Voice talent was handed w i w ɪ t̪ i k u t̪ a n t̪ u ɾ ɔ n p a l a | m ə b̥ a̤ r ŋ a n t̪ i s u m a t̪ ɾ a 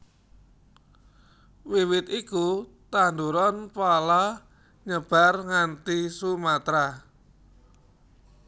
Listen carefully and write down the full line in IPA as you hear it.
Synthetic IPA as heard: w i w ɪ t̪ i k u t̪ a n d̪ u ɾ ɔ n p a l a | ɲ ə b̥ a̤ r ŋ a n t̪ i s u m a t̪ ɾ a